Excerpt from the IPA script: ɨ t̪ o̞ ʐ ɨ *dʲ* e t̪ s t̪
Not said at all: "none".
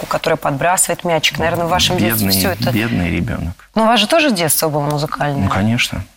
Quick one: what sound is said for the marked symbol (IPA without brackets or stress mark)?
dʲ